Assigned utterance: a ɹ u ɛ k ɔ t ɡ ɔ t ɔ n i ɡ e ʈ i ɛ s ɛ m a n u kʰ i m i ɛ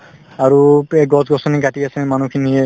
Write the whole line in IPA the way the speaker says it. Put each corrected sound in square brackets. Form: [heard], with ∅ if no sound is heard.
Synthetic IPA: a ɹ u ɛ [ɡ] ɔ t ɡ ɔ [s] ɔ n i ɡ [a] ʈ i [a] s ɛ m a n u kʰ i [n] i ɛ